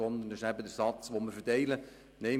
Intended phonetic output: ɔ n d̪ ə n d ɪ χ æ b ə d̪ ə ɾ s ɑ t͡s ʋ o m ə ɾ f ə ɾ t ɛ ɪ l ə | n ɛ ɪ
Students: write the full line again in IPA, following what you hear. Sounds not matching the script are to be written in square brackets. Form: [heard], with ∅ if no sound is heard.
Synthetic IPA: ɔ n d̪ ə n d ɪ [ʃ] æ b ə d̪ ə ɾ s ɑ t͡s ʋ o m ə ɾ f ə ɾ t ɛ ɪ l ə | n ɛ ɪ